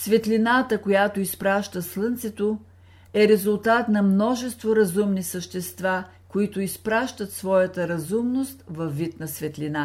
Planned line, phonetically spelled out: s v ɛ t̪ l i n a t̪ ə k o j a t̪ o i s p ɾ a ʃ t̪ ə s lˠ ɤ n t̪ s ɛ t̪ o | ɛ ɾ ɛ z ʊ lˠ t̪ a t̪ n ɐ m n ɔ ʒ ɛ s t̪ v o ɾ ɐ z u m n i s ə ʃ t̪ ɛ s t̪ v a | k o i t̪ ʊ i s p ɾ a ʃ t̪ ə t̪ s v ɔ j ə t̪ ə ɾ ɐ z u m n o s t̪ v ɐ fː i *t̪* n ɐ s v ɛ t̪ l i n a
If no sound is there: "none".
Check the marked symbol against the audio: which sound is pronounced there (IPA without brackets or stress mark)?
t̪